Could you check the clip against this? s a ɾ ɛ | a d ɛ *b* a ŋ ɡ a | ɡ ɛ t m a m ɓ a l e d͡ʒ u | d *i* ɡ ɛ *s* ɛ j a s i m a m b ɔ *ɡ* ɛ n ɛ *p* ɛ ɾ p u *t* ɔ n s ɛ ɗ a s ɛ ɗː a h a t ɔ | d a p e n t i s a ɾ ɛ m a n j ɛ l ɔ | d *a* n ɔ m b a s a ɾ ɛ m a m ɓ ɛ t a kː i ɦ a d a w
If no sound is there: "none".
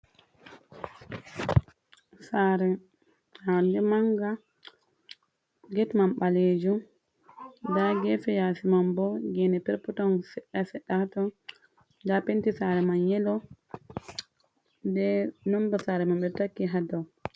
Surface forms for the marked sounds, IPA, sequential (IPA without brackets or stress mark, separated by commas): m, a, f, ɡ, p, t, ɛ